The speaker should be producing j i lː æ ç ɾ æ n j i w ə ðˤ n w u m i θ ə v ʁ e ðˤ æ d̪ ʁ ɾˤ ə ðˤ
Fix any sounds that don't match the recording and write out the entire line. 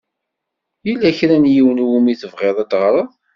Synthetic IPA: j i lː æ ç ɾ æ n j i w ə n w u m i θ ə v ʁ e ðˤ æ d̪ ʁ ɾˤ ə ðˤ